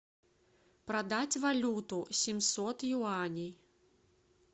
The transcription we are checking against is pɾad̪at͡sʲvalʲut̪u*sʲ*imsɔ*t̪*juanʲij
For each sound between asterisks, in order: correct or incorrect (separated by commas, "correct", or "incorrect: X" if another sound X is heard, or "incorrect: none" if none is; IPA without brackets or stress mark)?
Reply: correct, correct